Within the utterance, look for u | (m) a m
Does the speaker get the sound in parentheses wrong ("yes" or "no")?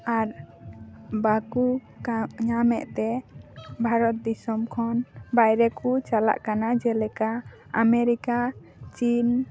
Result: yes